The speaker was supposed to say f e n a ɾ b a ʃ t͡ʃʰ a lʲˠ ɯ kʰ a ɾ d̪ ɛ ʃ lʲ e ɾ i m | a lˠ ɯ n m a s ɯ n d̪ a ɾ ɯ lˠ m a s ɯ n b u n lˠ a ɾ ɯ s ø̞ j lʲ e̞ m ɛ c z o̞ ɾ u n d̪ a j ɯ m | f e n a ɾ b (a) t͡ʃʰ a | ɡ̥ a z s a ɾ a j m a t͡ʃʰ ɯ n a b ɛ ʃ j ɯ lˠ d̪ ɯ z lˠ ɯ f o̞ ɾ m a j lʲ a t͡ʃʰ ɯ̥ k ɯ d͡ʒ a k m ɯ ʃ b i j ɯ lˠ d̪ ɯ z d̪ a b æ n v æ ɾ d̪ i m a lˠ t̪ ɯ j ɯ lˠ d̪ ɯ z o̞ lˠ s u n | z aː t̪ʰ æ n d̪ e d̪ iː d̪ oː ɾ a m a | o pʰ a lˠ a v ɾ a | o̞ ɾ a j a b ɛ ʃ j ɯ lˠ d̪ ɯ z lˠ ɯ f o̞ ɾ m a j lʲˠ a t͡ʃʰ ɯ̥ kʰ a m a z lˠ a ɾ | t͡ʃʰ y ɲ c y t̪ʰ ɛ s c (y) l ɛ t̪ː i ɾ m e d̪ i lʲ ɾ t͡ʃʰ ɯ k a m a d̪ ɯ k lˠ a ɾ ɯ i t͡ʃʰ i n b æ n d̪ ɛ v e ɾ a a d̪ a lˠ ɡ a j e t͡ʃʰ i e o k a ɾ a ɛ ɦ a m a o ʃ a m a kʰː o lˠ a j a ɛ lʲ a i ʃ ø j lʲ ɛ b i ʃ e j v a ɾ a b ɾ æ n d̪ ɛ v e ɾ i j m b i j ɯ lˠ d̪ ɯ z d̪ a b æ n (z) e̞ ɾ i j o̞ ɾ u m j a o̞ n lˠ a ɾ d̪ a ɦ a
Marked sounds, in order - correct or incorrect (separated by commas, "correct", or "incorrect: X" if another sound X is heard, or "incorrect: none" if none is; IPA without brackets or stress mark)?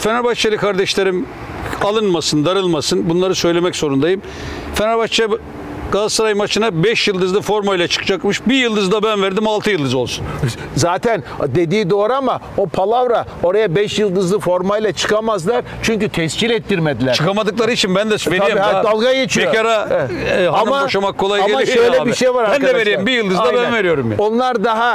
correct, incorrect: i, incorrect: v